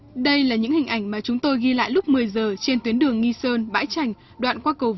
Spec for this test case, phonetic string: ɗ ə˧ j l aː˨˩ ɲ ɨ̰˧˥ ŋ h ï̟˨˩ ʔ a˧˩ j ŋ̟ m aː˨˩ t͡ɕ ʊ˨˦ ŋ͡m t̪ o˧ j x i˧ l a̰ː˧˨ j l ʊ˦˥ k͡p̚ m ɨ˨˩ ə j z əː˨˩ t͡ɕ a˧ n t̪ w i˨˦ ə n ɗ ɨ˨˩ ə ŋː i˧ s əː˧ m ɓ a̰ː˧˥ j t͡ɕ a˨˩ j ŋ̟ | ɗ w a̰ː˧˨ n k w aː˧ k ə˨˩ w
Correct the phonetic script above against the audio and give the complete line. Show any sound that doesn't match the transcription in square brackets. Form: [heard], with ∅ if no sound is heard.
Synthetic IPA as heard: ɗ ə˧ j l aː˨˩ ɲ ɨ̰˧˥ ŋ h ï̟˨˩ ʔ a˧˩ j ŋ̟ m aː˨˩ t͡ɕ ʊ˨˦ ŋ͡m t̪ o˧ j [ɣ] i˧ l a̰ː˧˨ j l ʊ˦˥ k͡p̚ m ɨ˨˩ ə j z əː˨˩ t͡ɕ [e˧] n t̪ w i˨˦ ə n ɗ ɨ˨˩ ə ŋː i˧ s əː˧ [n] ɓ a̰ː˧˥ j t͡ɕ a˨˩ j ŋ̟ | ɗ w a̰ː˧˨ n k w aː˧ k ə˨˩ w